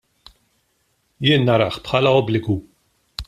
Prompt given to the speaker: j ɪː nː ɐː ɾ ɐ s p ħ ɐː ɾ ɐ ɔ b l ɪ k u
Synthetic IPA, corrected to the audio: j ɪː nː ɐ ɾ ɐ ħ p ħ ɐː l ɐ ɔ b l ɪ ɡ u